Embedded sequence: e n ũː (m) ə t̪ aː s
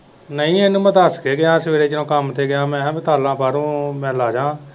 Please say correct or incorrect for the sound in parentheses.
correct